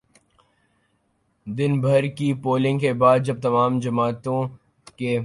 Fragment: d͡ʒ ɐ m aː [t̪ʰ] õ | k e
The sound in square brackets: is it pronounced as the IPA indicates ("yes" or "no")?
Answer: no